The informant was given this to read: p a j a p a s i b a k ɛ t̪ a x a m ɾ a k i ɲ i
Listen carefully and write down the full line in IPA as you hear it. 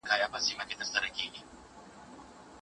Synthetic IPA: k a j a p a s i m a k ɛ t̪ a s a ɾ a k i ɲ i